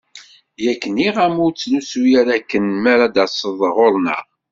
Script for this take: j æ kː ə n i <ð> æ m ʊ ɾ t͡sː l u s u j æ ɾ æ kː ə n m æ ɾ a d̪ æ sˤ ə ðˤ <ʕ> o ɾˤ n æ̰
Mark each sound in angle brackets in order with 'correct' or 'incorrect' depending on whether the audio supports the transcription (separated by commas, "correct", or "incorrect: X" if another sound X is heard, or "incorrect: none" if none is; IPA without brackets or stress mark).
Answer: incorrect: ʁ, incorrect: ʁ